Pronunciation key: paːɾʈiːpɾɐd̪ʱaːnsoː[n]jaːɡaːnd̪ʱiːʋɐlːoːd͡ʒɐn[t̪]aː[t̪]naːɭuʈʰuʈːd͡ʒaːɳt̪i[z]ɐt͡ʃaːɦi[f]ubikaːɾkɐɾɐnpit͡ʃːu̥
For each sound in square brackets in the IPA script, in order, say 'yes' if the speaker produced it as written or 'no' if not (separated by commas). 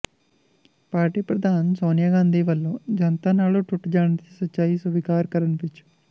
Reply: yes, yes, no, no, no